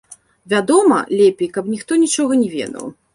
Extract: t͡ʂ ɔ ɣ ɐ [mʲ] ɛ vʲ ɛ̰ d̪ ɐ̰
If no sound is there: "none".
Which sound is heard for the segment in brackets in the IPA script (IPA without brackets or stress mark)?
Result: nʲ